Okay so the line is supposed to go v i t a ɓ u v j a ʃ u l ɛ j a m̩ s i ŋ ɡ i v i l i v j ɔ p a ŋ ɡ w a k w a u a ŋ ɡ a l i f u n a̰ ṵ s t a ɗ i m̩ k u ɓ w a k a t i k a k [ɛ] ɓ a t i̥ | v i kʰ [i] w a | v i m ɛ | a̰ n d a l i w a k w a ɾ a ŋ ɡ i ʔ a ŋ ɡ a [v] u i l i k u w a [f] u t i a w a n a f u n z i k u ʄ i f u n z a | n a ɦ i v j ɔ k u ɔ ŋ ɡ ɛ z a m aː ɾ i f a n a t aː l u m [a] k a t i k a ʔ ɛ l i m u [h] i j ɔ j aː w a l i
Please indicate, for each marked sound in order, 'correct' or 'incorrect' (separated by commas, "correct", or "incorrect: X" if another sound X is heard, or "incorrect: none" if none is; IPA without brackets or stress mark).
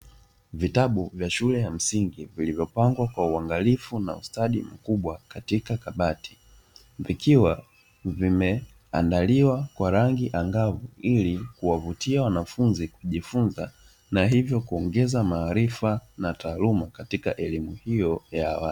incorrect: a, correct, correct, incorrect: v, correct, correct